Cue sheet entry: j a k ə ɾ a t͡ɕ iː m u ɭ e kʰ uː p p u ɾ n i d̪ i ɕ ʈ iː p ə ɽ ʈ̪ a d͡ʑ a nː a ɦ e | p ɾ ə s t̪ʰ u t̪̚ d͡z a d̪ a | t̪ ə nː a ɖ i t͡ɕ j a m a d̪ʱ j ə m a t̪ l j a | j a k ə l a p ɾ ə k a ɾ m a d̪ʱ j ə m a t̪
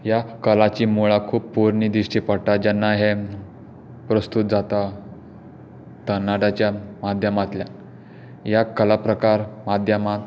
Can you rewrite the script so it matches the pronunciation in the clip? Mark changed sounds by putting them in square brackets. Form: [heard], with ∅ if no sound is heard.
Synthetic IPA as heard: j a k ə [l] a t͡ɕ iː m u ɭ [a] kʰ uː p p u ɾ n i d̪ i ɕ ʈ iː p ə ɽ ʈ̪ a d͡ʑ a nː a ɦ e | p ɾ ə s [t̪] u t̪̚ d͡z a [t̪] a | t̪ ə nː a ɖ [a] t͡ɕ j a m a d̪ʱ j ə m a t̪ l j a | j a k ə l a p ɾ ə k a ɾ m a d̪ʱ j ə m a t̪